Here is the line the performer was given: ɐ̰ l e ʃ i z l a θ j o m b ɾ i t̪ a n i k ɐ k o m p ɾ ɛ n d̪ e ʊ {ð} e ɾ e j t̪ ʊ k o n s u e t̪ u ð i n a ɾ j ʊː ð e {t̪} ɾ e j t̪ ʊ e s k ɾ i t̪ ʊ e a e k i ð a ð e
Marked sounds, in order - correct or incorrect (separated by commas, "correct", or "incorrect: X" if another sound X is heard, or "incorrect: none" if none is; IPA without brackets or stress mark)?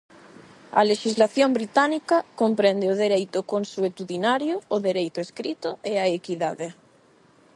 correct, incorrect: none